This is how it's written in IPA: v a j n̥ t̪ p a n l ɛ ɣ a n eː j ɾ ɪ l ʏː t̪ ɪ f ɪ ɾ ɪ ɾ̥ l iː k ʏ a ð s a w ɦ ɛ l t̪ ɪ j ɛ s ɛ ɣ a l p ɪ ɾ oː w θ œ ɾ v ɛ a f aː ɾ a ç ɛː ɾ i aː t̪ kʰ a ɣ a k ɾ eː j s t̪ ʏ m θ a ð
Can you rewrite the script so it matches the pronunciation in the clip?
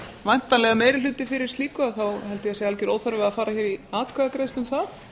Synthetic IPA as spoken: v a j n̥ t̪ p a n l ɛ ɣ a m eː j ɾ ɪ l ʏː t̪ ɪ f ɪ ɾ ɪ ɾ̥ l iː k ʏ a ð θ a w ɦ ɛ l t̪ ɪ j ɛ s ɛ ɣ a l c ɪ ɾ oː w θ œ ɾ v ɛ a f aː ɾ a ç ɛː ɾ i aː t̪ kʰ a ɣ a k ɾ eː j s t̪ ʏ m θ a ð